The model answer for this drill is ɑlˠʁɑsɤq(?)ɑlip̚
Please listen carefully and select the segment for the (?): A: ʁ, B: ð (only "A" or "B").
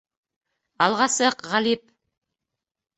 A